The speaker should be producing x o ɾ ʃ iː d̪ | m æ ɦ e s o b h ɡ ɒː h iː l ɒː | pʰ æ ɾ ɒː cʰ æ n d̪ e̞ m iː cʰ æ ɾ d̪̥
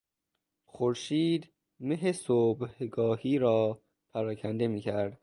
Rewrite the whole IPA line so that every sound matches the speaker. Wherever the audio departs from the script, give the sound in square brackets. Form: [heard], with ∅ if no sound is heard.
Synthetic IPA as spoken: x o ɾ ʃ iː d̪ | m [e] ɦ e s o b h ɡ ɒː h iː [ɾ] ɒː | pʰ æ ɾ ɒː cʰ æ n d̪ e̞ m iː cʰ æ ɾ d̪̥